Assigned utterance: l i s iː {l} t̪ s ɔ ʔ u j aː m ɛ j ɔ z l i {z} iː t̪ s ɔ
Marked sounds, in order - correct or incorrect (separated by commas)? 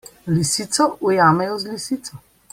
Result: incorrect, incorrect